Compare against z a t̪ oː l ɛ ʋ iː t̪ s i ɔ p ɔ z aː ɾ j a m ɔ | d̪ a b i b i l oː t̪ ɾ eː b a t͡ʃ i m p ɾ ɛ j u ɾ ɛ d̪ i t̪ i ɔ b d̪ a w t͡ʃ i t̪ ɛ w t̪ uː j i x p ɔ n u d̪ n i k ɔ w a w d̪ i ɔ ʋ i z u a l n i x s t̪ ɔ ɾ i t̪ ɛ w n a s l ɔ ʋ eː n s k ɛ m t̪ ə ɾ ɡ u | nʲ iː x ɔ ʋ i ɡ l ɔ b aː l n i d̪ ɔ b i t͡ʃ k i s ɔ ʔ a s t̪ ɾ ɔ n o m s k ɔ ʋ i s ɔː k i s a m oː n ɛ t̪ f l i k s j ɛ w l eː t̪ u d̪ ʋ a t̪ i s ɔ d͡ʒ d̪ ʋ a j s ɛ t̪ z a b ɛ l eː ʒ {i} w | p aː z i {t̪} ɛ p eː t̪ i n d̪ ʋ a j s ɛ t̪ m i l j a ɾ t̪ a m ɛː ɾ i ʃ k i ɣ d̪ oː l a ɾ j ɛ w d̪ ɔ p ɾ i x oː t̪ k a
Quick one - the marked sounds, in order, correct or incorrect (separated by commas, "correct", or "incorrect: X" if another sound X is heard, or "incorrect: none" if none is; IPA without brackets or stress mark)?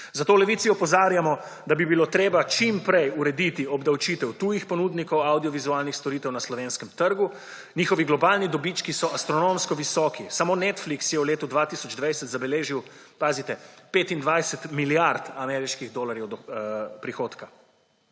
correct, correct